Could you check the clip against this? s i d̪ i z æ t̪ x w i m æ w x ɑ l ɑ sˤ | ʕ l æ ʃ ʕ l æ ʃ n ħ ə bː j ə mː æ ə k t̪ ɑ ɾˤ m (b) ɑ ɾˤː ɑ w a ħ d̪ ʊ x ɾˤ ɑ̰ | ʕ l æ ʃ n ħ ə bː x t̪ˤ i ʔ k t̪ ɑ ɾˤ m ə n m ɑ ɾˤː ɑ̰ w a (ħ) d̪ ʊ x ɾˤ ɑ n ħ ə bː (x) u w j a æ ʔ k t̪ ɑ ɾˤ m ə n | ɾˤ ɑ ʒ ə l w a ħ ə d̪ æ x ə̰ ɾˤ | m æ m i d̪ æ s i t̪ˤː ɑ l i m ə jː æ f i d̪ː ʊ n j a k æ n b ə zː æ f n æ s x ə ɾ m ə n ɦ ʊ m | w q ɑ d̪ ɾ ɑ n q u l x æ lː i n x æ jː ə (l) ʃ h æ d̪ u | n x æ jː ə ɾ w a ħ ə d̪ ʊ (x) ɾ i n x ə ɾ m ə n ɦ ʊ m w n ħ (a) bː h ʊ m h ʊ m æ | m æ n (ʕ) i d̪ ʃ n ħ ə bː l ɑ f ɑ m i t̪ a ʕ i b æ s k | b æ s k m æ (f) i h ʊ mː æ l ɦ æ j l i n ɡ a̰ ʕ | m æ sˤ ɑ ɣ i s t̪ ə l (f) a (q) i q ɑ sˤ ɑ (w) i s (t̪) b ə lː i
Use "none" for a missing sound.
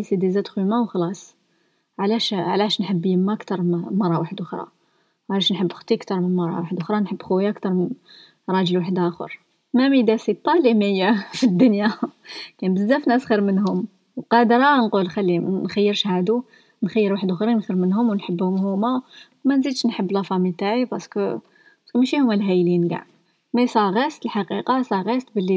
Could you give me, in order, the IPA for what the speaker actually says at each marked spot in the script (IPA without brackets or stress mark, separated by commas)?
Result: m, ħ, x, ɾ, x, ə, z, ʃ, ħ, q, ɣ, t̪